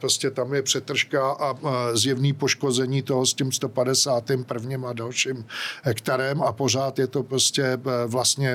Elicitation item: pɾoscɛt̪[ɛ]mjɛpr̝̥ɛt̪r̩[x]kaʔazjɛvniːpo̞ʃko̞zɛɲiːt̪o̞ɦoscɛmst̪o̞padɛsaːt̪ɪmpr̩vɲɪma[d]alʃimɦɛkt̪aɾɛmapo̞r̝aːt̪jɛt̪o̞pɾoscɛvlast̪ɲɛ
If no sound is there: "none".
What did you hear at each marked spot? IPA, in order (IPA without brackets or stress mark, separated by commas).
a, ʃ, d